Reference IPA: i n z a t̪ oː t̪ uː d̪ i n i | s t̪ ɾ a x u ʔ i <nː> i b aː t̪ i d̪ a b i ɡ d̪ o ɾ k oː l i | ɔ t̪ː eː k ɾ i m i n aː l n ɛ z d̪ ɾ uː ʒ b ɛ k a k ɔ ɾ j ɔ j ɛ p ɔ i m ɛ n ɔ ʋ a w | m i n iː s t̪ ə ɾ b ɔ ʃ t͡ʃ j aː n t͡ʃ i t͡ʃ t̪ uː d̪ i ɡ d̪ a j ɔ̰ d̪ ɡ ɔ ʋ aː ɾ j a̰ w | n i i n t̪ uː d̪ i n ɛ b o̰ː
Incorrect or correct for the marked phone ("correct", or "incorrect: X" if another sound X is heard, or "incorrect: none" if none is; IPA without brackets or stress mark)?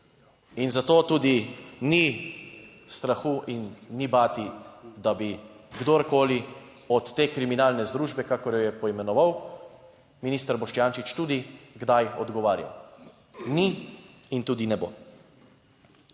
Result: correct